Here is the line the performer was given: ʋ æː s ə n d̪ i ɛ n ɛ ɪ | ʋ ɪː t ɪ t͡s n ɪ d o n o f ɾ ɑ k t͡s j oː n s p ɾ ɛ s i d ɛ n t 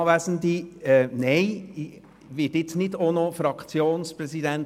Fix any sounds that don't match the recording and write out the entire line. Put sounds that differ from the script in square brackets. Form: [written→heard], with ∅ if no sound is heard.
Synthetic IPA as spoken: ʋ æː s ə n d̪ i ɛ n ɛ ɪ | ʋ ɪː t ɪ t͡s n ɪ d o n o f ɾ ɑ k t͡s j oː n s p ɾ ɛ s i d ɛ n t